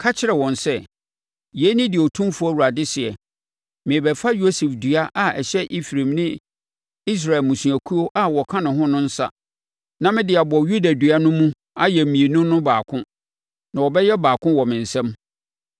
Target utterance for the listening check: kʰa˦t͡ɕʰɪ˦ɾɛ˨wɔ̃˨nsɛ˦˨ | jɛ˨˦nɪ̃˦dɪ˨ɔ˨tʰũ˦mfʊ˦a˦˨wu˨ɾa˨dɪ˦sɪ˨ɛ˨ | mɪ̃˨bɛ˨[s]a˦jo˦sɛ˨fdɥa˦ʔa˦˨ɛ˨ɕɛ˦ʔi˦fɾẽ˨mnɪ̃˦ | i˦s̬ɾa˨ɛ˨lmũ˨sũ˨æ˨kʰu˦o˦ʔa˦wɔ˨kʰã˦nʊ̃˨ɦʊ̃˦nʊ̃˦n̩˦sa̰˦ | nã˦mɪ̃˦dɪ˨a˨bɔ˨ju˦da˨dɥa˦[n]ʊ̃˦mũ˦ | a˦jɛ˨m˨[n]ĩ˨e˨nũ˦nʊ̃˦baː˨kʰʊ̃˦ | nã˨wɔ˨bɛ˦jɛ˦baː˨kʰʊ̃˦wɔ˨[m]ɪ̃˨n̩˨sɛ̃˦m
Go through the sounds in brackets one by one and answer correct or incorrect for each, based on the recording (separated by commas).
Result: incorrect, correct, incorrect, correct